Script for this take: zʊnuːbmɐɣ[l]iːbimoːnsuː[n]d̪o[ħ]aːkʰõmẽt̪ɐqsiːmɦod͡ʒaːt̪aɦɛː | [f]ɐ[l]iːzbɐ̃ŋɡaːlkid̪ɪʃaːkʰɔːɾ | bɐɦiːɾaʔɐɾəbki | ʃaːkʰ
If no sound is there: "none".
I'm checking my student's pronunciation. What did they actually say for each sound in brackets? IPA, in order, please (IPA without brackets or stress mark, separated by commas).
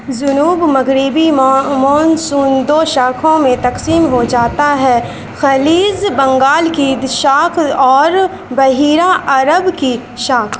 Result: ɾ, n, ʃ, x, l